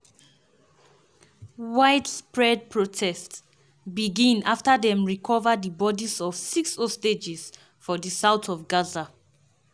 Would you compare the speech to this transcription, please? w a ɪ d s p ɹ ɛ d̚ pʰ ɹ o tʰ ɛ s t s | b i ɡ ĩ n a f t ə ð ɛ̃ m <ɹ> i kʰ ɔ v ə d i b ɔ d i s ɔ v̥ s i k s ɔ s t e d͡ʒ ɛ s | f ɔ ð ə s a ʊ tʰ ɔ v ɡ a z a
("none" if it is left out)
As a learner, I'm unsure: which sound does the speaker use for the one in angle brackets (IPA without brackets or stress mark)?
ɹ